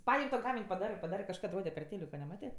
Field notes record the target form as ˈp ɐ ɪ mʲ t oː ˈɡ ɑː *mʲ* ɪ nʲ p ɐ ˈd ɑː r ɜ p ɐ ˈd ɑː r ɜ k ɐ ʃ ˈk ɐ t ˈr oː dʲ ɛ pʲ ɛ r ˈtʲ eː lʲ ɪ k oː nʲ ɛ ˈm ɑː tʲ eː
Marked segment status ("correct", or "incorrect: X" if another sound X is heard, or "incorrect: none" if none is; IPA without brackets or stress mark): correct